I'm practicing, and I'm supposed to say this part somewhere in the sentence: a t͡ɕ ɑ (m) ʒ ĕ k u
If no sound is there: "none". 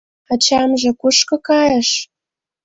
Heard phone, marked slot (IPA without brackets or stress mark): m